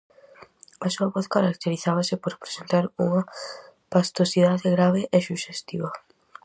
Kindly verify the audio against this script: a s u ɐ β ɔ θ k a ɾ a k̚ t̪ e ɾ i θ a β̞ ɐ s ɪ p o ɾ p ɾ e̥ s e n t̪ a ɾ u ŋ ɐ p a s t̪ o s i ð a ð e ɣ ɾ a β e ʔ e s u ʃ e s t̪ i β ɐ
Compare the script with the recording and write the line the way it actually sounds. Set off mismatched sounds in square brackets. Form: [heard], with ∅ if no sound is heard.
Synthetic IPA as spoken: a s u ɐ β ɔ θ k a ɾ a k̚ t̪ e ɾ i θ a β̞ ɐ s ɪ p o ɾ p ɾ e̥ s e n t̪ a ɾ u ŋ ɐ p a s t̪ o s i ð a ð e ɣ ɾ a β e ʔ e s u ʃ e s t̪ i β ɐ